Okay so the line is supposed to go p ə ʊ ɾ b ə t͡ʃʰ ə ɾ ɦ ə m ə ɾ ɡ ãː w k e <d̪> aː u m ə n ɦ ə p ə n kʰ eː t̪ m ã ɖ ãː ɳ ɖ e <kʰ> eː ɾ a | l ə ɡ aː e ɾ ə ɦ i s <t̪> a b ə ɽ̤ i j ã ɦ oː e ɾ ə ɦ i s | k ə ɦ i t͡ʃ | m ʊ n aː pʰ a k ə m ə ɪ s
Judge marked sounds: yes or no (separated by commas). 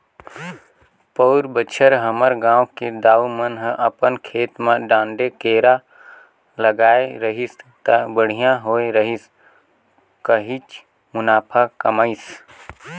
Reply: yes, no, yes